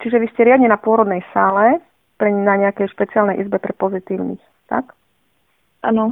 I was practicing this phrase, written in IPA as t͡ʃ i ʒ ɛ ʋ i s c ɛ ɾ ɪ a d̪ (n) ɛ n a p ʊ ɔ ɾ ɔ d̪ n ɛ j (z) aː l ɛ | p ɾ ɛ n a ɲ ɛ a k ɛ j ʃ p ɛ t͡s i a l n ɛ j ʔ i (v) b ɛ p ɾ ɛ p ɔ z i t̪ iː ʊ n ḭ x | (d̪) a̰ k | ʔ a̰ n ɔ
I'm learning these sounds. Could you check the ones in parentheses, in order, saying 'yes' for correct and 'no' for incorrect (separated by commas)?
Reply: no, no, no, no